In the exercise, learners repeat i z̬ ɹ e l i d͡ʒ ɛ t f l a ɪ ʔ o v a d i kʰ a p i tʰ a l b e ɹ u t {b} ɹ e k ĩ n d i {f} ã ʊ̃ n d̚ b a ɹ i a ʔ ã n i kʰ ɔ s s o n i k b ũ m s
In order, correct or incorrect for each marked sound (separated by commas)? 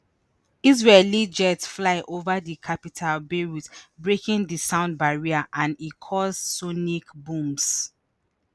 correct, incorrect